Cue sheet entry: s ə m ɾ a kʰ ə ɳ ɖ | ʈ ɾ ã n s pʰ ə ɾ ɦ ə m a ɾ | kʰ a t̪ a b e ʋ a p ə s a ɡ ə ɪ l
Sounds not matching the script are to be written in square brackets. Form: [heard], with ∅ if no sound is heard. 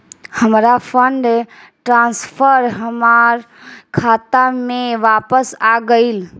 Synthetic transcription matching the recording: [h] ə m ɾ a [pʰ] ə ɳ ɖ | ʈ ɾ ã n s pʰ ə ɾ ɦ ə m a ɾ | kʰ a t̪ a [m] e ʋ a p ə s a ɡ ə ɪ l

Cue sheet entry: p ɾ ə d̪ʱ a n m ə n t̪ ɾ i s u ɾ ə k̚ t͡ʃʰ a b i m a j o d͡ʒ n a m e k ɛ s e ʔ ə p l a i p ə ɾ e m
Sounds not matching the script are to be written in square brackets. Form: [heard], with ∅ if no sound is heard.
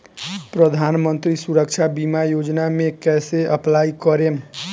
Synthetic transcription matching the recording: p ɾ ə d̪ʱ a n m ə n t̪ ɾ i s u ɾ ə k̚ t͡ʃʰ a b i m a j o d͡ʒ n a m e k ɛ s e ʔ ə p l a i [k] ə ɾ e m

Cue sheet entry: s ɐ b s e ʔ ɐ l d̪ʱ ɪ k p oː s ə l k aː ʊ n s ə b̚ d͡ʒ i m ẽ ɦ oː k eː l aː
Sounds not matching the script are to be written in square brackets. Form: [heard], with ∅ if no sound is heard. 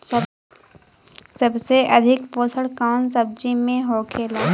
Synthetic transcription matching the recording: s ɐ b s e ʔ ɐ [∅] d̪ʱ ɪ k p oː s ə [ɽ] k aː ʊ n s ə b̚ d͡ʒ i m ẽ ɦ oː [kʰ] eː l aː

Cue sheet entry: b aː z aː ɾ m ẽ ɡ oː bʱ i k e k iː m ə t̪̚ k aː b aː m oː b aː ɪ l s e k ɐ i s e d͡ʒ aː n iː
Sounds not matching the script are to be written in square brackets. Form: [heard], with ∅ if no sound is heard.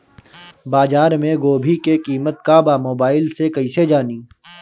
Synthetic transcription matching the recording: b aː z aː ɾ m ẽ ɡ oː bʱ i k e k iː m ə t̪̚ k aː b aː m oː b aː ɪ l s e k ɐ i s e d͡ʒ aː n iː

